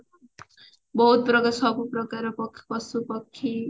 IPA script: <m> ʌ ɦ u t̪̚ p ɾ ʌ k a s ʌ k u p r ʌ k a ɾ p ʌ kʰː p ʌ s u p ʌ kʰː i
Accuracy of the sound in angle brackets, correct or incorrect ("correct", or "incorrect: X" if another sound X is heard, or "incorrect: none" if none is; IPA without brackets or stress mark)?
incorrect: b